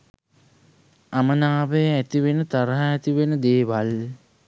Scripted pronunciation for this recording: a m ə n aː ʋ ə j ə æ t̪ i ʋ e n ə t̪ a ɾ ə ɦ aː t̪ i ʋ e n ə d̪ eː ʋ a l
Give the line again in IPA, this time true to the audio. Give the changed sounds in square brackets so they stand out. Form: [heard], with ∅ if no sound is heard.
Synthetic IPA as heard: a m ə n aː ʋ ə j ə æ t̪ i ʋ e n ə t̪ a ɾ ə ɦ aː t̪ i ʋ e n ə d̪ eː ʋ a l